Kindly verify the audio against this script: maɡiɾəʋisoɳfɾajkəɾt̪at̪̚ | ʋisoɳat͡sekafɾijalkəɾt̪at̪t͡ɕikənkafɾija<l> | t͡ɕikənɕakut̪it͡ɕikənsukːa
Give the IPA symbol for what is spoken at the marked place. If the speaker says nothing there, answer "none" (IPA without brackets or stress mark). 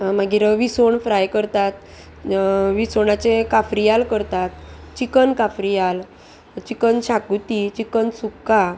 l